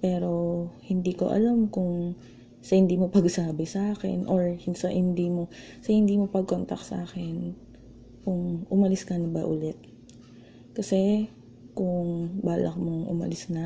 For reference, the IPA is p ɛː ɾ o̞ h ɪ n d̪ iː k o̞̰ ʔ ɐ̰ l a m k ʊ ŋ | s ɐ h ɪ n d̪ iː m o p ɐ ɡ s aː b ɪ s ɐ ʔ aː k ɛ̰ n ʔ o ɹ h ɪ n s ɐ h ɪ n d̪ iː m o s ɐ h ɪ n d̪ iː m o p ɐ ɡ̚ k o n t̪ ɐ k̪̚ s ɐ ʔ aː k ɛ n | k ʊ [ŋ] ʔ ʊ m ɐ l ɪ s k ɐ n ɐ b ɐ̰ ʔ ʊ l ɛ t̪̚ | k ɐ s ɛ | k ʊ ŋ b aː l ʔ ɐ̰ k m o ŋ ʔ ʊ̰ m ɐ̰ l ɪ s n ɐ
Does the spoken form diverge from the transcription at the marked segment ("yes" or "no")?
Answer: no